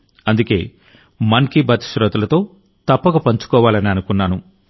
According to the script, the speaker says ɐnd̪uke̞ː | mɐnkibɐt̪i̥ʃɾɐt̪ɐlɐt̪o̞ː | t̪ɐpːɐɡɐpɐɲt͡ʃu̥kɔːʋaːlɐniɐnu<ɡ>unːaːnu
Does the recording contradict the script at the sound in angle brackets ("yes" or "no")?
yes